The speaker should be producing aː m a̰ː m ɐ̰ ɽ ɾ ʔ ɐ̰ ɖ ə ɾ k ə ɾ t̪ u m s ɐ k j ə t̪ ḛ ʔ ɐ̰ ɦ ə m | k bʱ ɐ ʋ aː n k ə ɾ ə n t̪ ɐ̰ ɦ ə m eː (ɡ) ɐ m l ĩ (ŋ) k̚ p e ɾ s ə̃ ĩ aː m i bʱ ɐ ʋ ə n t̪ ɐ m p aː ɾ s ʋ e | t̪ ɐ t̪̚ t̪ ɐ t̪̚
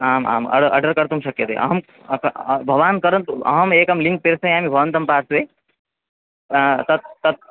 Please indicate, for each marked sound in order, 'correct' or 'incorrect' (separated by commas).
incorrect, correct